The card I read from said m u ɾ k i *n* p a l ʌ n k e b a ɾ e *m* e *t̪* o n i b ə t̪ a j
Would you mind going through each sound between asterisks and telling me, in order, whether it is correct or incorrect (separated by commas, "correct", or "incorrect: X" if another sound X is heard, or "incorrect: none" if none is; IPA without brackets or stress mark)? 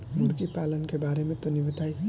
incorrect: none, correct, correct